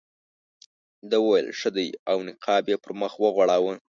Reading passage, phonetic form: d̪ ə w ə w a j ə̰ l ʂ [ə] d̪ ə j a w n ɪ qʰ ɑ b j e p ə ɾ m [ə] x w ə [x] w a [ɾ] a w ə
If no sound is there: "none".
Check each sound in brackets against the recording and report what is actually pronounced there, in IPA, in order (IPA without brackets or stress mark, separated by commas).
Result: ə, ə, ɣ, ɽ